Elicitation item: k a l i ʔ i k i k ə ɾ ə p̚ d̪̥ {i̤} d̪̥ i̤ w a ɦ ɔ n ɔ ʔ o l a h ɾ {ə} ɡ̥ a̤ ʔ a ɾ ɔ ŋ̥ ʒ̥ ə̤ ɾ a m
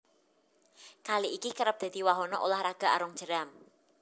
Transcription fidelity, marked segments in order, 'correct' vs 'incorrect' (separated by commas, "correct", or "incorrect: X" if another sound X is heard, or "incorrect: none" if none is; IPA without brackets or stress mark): incorrect: a̤, incorrect: a